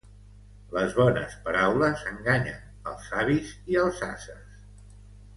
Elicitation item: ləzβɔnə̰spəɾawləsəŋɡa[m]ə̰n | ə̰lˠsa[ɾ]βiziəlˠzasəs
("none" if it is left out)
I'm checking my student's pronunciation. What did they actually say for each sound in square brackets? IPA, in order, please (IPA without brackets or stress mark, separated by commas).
ɲ, none